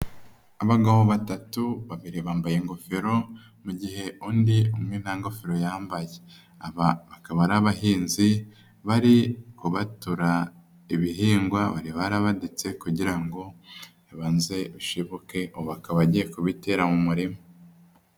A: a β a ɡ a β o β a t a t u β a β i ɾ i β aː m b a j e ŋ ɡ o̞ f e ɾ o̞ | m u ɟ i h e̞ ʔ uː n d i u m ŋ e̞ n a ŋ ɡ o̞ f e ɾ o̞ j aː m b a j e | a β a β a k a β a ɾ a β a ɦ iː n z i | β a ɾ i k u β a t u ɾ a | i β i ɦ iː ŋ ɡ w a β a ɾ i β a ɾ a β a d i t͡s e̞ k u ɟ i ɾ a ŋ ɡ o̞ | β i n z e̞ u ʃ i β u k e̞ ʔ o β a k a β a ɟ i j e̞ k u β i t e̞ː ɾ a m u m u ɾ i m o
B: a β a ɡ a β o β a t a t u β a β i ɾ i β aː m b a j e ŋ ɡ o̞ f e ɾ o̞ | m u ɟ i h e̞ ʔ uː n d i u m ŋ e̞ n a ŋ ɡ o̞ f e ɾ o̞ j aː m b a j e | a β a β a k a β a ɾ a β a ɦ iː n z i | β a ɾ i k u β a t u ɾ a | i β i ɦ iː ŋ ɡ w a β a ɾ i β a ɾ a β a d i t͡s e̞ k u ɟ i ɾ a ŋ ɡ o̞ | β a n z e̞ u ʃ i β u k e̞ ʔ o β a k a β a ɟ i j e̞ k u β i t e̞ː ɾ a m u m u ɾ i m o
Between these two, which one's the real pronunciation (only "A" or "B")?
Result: B